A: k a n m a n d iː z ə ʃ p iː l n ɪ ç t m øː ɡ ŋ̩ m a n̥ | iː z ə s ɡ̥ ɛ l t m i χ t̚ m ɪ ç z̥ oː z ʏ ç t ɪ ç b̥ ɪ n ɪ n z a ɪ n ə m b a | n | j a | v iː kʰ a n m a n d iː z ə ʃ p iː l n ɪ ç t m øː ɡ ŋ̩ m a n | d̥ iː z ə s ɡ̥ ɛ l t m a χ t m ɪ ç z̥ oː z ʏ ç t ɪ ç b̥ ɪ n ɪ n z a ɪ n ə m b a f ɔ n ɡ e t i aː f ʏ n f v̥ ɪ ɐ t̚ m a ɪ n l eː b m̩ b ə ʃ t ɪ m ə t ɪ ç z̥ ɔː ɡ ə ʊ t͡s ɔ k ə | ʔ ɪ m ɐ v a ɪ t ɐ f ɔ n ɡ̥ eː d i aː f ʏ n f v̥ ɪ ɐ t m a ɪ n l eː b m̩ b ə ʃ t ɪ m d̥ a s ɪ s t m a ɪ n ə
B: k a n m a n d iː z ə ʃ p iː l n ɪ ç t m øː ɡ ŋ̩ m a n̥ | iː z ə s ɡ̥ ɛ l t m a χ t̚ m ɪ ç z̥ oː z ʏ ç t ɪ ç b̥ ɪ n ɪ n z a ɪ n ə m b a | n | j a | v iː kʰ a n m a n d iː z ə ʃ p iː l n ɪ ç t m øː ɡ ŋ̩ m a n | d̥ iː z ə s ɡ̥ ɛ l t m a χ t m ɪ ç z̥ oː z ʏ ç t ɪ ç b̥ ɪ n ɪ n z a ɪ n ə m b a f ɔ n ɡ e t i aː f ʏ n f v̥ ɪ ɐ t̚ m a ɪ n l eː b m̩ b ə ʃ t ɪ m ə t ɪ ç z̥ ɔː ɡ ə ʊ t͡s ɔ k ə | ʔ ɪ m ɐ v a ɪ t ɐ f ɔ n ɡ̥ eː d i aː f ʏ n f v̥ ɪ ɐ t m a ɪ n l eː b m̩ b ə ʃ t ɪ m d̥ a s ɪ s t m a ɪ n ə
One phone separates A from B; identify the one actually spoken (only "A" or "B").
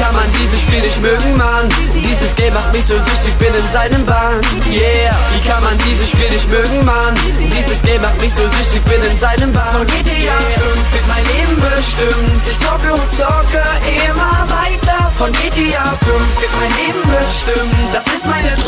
B